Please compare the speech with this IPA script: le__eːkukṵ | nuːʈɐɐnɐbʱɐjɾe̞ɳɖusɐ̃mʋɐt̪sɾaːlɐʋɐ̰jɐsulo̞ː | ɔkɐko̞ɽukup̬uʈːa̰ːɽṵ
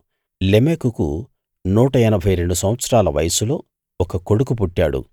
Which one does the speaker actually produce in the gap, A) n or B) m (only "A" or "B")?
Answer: B